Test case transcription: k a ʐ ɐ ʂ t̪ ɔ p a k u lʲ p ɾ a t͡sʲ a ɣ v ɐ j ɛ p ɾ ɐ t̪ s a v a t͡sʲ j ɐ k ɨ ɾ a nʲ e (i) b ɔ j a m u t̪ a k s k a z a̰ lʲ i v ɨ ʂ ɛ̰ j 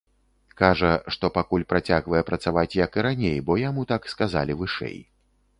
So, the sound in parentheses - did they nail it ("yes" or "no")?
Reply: no